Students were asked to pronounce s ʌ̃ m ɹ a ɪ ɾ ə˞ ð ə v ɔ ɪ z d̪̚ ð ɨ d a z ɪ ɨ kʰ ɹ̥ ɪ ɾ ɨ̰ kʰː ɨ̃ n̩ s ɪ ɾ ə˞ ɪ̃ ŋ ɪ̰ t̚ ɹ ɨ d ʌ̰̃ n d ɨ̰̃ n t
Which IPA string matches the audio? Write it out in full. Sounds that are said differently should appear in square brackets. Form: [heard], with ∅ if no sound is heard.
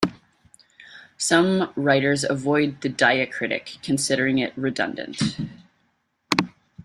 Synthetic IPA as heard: s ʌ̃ m ɹ a ɪ ɾ ə˞ [z] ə v ɔ ɪ [∅] d̪̚ ð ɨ d a [∅] ɪ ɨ kʰ ɹ̥ ɪ ɾ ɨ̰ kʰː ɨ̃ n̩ s ɪ ɾ ə˞ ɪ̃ ŋ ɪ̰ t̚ ɹ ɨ d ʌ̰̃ n d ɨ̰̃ n t